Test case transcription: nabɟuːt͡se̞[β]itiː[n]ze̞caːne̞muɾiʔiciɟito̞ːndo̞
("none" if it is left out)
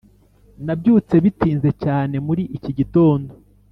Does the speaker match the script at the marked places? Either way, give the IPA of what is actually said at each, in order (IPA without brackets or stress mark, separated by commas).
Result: β, n